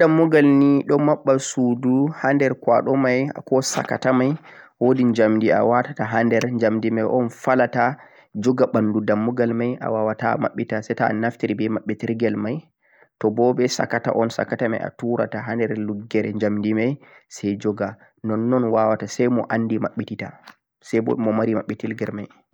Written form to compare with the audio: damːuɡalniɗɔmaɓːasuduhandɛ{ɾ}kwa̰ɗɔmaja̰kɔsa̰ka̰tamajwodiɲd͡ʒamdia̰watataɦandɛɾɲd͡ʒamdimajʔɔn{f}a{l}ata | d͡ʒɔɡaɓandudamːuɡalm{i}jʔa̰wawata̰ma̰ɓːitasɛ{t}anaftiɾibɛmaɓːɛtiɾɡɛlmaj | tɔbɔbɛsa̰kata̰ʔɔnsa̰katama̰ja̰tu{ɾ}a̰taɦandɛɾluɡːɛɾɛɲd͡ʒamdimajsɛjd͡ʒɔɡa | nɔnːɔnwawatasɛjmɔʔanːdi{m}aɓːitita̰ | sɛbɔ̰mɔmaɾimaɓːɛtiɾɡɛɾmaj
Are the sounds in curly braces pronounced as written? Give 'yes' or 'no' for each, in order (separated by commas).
yes, yes, yes, no, yes, yes, yes